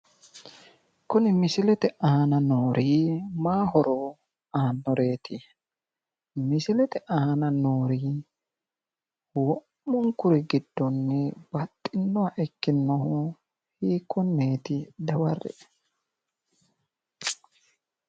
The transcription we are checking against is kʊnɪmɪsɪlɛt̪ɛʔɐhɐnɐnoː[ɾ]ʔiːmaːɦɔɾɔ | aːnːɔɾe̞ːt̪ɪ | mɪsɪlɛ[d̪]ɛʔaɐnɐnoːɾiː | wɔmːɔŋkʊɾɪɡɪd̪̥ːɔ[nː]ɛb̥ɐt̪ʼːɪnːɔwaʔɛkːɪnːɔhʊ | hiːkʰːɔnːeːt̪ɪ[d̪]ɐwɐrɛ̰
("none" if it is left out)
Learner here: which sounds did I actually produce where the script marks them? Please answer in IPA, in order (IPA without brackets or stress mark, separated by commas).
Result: ɾ, t̪, nː, d̪